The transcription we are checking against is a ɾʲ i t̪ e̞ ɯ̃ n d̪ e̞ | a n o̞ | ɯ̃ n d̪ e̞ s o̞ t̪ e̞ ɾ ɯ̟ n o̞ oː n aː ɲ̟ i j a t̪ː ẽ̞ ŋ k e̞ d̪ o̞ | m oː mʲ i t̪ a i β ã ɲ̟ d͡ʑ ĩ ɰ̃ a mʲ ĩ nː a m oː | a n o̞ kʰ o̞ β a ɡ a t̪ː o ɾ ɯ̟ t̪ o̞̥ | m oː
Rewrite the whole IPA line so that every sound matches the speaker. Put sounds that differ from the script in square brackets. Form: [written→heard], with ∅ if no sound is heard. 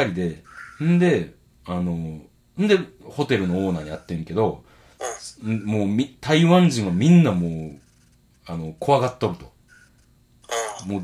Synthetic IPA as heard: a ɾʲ i [t̪→d̪] e̞ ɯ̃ n d̪ e̞ | a n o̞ | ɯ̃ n d̪ e̞ [s→h] o̞ t̪ e̞ ɾ ɯ̟ n o̞ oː n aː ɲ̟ i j a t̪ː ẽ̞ ŋ k e̞ d̪ o̞ | m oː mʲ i t̪ a i β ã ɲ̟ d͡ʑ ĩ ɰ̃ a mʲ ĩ nː a m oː | a n o̞ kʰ o̞ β a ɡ a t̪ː o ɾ ɯ̟ t̪ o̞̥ | m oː